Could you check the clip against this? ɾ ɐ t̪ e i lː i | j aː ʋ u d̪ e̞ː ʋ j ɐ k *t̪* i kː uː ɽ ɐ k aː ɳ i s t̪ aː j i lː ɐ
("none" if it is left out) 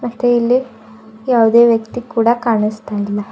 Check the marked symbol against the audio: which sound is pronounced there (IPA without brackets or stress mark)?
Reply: t̪